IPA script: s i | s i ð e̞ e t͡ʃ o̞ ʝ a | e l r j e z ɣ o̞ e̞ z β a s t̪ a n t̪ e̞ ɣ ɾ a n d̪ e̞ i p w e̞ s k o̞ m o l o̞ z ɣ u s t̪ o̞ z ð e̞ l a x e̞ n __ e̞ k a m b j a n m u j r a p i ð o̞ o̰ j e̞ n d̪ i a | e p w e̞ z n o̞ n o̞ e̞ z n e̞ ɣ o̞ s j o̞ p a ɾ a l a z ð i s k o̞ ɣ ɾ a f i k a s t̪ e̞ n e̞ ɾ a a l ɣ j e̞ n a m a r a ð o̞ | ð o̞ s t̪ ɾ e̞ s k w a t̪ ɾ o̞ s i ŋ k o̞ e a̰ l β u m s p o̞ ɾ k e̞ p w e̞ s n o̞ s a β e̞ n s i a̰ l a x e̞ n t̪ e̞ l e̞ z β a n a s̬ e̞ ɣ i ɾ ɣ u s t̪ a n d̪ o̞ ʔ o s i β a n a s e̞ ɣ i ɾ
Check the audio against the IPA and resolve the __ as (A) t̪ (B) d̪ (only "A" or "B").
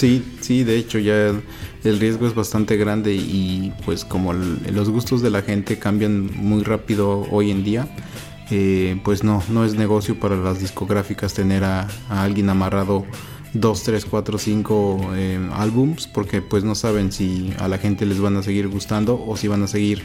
A